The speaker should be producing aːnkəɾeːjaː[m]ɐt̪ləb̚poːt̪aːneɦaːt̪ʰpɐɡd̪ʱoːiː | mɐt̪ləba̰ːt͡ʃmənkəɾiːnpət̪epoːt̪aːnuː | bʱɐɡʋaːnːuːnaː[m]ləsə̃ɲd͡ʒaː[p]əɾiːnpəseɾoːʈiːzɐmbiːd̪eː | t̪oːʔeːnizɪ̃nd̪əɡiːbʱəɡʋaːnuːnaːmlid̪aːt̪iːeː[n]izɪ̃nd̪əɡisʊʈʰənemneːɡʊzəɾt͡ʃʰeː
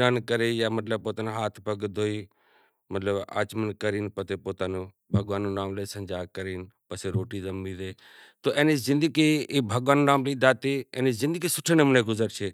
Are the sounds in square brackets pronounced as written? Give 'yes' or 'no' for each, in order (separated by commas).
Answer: yes, yes, no, yes